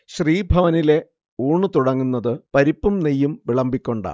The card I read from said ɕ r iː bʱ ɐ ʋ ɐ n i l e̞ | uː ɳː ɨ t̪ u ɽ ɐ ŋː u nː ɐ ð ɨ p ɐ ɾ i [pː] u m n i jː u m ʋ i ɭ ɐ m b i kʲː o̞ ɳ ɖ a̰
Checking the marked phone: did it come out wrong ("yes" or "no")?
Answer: no